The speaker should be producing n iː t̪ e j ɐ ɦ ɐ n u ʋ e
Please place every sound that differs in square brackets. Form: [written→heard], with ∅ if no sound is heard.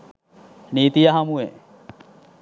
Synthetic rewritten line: n iː t̪ [e→i] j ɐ ɦ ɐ [n→m] u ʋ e